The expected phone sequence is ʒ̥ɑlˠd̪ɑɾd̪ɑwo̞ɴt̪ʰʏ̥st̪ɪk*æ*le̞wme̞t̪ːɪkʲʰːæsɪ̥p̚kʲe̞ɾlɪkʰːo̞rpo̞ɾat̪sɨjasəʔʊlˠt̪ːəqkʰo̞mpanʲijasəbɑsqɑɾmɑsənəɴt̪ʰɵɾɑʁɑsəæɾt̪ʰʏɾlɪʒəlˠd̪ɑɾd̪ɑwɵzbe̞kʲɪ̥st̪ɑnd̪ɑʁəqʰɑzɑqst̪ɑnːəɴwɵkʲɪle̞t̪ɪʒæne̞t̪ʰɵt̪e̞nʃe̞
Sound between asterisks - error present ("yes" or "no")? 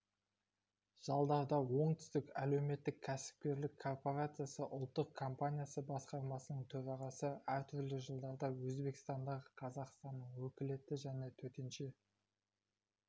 no